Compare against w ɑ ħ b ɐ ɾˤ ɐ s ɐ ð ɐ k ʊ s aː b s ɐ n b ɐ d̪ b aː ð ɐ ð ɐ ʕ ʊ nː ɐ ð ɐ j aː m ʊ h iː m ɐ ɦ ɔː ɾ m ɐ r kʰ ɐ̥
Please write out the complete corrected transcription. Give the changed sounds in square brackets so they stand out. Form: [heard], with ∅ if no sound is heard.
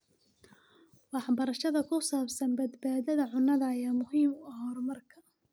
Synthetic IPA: w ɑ ħ b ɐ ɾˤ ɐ [ʃ] ɐ ð ɐ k ʊ s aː b s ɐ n b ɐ d̪ b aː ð ɐ ð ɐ ʕ ʊ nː ɐ ð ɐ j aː m ʊ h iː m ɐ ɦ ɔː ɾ m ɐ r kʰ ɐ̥